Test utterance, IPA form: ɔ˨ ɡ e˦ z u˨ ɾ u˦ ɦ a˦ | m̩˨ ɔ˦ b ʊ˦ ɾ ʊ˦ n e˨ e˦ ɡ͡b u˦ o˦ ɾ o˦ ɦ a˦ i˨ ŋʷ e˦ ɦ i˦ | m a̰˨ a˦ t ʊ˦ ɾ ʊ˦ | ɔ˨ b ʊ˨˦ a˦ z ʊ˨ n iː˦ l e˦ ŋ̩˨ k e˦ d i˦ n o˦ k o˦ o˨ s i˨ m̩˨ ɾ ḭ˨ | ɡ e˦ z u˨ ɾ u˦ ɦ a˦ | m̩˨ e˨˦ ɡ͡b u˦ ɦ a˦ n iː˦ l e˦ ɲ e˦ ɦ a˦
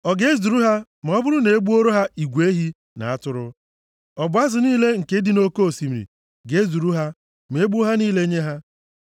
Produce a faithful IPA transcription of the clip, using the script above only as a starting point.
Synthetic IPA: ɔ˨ ɡ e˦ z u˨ ɾ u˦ ɦ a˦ | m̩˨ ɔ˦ b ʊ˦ ɾ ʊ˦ n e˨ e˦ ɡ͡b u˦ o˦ ɾ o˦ ɦ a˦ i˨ ɡʷ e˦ ɦ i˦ | n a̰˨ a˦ t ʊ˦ ɾ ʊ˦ | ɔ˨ b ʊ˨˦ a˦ z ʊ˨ n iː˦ l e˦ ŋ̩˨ k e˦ d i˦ n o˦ k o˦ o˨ s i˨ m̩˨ ɾ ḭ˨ | ɡ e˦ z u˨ ɾ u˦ ɦ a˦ | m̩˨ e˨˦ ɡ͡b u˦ ɦ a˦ n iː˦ l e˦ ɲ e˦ ɦ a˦